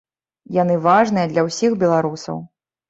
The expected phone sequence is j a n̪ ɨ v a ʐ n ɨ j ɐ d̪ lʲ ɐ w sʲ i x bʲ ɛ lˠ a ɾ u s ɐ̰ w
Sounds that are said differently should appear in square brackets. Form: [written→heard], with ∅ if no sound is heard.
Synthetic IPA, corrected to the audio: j a n̪ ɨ v a ʐ n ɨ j ɐ d̪ lʲ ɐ w sʲ i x bʲ ɛ lˠ a ɾ u s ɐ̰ w